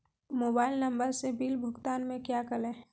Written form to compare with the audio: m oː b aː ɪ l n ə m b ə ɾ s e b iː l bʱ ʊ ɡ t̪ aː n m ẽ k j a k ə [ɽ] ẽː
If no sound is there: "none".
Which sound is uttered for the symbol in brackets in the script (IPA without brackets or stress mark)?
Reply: l